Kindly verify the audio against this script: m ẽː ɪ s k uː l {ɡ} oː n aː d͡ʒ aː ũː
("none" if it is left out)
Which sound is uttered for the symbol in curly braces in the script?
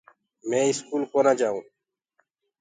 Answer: k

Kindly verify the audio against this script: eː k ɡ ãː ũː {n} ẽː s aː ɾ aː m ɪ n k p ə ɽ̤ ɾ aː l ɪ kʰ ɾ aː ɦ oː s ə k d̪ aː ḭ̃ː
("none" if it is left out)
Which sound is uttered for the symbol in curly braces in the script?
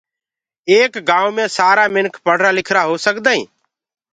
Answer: m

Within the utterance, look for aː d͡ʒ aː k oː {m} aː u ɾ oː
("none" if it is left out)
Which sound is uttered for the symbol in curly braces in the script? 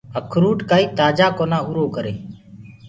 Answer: n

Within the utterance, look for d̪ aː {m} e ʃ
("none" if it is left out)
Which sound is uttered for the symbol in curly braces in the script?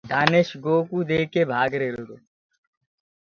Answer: n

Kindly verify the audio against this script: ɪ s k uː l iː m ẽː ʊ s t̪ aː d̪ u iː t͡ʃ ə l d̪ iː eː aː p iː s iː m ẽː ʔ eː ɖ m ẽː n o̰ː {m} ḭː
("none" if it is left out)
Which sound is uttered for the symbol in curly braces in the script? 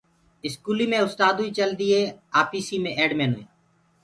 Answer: none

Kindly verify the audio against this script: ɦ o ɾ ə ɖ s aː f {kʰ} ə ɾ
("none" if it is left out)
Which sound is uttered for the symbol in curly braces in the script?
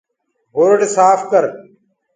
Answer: k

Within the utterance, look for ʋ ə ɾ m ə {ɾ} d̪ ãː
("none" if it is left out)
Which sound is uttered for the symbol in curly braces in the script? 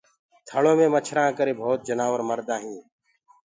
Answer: ɾ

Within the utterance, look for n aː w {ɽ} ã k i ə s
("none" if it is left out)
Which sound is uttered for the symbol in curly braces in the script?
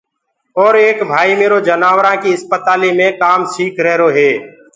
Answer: ɾ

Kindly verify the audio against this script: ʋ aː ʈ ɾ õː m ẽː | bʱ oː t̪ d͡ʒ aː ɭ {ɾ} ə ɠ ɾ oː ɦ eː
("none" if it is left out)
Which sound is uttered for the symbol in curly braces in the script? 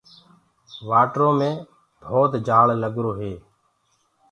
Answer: l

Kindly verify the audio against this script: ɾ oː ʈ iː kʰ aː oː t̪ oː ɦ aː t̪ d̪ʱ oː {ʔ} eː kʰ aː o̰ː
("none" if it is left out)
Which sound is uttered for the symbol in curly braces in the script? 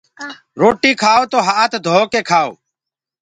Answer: k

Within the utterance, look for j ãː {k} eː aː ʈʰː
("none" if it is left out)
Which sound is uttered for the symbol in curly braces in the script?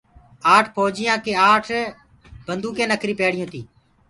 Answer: k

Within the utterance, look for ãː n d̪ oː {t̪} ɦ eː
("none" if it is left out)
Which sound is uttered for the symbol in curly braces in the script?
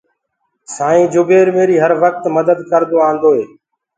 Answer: none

